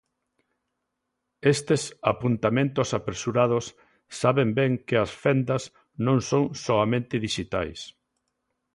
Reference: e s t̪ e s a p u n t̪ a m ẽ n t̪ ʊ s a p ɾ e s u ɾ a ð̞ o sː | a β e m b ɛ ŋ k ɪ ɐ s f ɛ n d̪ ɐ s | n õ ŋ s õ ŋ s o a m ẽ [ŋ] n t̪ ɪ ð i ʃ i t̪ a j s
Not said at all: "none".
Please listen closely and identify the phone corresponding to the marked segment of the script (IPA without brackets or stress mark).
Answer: none